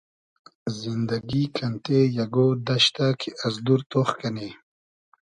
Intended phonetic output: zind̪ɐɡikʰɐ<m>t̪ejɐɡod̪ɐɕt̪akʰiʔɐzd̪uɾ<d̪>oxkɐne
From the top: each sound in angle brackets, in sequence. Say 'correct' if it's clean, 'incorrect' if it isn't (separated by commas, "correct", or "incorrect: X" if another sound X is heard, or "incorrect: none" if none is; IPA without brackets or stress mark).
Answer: incorrect: n, incorrect: t̪